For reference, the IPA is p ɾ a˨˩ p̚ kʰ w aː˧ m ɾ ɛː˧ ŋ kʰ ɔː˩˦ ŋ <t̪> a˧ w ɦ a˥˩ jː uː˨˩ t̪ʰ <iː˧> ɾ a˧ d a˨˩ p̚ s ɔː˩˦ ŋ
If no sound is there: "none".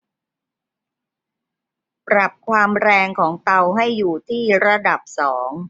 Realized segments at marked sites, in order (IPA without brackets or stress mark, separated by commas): t̪, iː˥˩